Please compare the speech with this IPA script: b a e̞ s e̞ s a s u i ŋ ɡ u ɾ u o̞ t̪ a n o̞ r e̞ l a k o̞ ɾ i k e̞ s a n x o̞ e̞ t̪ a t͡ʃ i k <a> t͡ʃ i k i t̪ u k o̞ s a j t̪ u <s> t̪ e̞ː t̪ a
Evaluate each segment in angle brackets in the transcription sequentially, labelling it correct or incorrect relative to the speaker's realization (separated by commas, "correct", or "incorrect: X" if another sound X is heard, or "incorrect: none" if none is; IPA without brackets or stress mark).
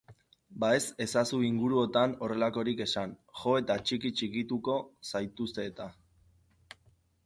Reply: incorrect: i, correct